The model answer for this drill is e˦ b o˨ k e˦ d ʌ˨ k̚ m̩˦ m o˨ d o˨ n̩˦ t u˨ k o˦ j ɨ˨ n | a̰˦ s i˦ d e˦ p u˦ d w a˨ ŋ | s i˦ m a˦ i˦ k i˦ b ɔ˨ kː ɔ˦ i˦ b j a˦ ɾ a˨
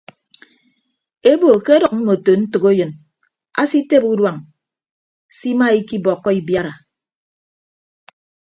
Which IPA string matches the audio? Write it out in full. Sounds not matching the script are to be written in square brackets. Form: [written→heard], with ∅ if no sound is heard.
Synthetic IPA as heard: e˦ b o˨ k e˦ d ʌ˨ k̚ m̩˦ m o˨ [d→t] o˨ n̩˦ t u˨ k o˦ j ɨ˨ n | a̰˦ s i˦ [d→t] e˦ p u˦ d w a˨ ŋ | s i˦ m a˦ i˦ k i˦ b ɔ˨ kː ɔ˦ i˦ b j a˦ ɾ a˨